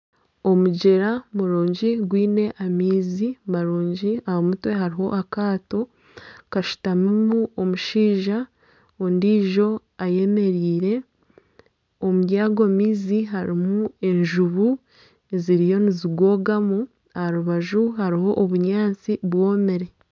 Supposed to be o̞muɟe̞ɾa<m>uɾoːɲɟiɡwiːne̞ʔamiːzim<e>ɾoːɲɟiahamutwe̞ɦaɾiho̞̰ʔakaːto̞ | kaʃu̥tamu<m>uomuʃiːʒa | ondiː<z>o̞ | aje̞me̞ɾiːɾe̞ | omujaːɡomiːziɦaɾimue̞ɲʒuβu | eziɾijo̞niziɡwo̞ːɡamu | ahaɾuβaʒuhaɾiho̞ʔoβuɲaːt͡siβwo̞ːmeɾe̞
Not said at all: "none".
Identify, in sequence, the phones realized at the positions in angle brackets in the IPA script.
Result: m, a, m, ʒ

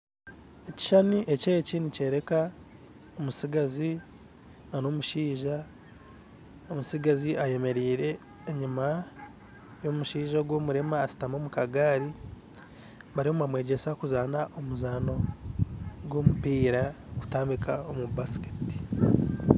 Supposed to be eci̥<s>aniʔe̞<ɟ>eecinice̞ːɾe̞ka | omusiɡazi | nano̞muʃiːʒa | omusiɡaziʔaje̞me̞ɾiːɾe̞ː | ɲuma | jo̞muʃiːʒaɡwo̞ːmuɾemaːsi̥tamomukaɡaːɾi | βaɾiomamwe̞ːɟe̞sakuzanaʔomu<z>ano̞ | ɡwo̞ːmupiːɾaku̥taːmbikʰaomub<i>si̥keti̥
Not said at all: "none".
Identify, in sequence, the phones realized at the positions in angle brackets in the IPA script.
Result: ʃ, c, z, a

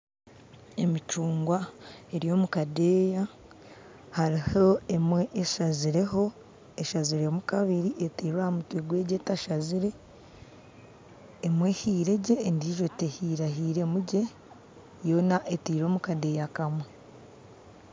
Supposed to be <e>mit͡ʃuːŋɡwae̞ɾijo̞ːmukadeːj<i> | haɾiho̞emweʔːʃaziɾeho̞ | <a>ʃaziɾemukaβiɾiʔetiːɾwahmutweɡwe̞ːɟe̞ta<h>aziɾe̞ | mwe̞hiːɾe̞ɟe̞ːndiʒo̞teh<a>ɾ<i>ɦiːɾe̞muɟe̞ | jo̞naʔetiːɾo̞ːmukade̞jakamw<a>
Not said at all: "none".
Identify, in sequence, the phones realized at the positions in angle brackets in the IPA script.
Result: e, a, e, ʃ, i, a, e

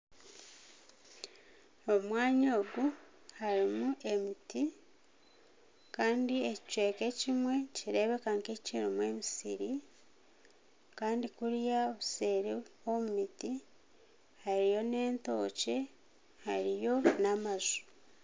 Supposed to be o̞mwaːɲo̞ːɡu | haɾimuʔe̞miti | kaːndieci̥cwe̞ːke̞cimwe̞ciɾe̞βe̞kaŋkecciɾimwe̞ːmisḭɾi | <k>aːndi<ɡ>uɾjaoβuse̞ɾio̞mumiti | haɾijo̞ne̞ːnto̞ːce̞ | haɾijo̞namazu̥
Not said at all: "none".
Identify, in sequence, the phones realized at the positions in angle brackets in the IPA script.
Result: k, k

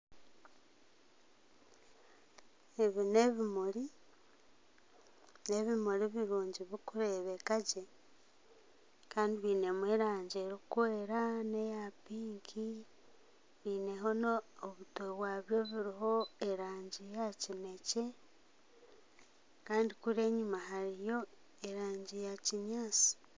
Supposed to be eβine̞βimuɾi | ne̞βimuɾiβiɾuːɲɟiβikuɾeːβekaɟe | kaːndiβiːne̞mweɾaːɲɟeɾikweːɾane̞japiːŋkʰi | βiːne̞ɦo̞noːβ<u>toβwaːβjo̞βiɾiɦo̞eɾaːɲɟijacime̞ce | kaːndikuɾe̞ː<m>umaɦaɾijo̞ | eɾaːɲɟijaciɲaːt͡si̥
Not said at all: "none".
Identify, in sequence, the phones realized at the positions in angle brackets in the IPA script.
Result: u, ɲ

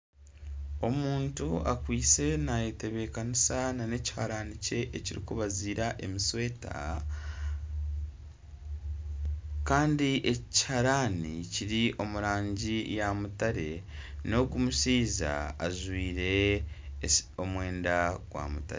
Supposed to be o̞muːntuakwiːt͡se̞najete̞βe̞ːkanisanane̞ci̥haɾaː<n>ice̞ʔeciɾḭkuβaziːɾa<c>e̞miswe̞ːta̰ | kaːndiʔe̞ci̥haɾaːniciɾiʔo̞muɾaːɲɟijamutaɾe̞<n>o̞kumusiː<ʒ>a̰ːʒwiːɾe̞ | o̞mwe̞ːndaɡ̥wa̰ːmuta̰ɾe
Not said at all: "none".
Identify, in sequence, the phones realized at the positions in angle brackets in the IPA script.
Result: n, ʔ, n, z

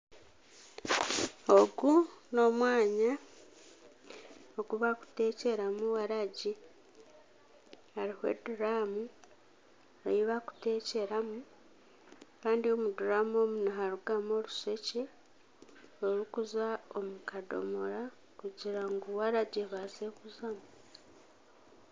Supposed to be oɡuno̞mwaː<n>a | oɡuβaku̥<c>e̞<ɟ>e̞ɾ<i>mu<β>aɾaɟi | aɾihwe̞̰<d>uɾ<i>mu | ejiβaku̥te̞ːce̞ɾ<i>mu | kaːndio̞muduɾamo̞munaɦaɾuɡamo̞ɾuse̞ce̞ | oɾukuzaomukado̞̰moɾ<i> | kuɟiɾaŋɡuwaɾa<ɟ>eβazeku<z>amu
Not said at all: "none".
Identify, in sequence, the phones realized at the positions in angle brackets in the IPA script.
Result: ɲ, t, c, a, w, d, a, a, a, ɟ, z

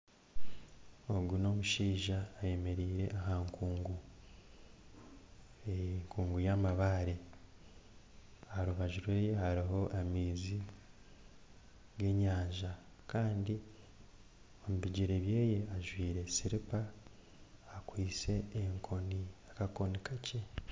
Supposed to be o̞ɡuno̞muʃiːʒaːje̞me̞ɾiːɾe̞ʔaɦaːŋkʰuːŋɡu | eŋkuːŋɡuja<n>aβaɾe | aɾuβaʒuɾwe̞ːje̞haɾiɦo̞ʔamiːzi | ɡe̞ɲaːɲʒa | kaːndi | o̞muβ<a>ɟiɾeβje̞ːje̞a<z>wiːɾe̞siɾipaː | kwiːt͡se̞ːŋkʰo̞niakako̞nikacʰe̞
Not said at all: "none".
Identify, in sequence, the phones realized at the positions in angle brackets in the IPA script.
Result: m, i, ʒ

